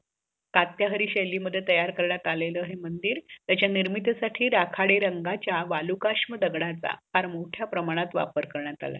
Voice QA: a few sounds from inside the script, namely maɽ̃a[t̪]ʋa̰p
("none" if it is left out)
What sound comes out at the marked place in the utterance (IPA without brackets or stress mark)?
t̪